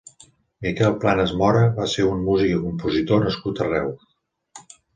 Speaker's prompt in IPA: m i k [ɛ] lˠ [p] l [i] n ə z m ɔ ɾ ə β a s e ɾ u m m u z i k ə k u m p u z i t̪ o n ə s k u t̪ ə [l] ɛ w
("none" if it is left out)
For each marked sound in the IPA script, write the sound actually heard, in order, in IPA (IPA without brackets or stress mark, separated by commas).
ɛ, p, a, r